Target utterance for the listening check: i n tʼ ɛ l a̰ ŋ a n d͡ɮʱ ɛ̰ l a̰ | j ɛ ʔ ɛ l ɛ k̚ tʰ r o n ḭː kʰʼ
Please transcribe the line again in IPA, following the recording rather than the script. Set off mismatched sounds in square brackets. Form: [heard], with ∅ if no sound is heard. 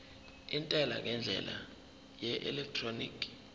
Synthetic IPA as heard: i n tʼ ɛ l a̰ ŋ [ɛ] n d͡ɮʱ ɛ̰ l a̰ | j ɛ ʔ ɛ l ɛ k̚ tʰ r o n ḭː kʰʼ